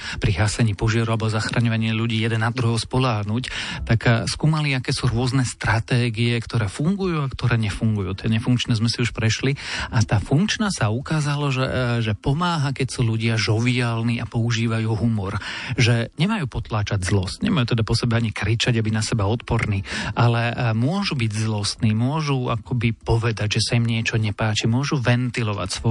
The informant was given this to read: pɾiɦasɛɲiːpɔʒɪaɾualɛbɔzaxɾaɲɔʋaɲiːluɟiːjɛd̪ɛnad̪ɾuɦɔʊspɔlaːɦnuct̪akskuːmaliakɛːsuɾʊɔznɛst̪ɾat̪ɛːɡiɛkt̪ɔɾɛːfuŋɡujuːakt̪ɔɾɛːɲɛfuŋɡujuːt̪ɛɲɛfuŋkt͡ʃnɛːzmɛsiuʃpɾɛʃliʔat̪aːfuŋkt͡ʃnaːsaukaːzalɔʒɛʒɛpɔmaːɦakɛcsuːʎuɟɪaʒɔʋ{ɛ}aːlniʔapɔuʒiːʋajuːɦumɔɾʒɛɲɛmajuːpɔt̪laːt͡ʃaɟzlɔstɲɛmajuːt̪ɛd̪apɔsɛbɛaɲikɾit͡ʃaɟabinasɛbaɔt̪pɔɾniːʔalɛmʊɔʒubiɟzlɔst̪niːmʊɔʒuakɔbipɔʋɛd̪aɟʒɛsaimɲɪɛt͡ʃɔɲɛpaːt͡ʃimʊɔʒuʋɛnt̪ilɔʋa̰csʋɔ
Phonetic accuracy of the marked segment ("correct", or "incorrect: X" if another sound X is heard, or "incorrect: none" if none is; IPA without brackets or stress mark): incorrect: i